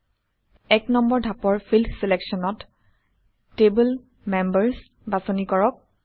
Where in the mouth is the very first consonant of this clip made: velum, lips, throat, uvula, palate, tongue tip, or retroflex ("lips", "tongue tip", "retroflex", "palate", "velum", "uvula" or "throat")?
velum